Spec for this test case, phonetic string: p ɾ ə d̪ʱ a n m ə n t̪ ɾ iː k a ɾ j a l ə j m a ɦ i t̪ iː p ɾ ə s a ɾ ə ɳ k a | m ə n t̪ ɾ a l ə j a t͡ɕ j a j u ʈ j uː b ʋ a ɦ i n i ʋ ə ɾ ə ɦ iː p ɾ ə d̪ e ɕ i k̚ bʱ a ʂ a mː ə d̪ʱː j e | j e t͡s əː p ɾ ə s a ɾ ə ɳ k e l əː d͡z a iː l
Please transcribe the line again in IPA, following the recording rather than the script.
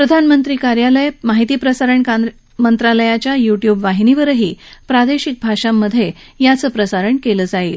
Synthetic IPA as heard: p ɾ ə d̪ʱ a n m ə n t̪ ɾ iː k a ɾ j a l ə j m a ɦ i t̪ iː p ɾ ə s a ɾ ə ɳ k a | m ə n t̪ ɾ a l ə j a t͡ɕ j a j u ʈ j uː b ʋ a ɦ i n i ʋ ə ɾ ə ɦ iː p ɾ a d̪ e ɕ i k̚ bʱ a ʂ a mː ə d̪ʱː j e | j a t͡s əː p ɾ ə s a ɾ ə ɳ k e l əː d͡z a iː l